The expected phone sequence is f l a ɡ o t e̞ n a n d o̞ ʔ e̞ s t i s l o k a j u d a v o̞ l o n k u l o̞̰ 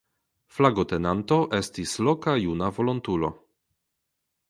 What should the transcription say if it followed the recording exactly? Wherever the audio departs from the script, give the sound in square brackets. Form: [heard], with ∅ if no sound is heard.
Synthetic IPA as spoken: f l a ɡ o t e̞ n a n [t] o̞ ʔ e̞ s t i s l o k a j u [n] a v o̞ l o n [t] u l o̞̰